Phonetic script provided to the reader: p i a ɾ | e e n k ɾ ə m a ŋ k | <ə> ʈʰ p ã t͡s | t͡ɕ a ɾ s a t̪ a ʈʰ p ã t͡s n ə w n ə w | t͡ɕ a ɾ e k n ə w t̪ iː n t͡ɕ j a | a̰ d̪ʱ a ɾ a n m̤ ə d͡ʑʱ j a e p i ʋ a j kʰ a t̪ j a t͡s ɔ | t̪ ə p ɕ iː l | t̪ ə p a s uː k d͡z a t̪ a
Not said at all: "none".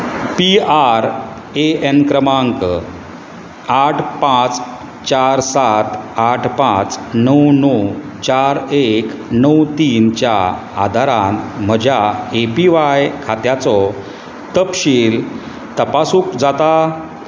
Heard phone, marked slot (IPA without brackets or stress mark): a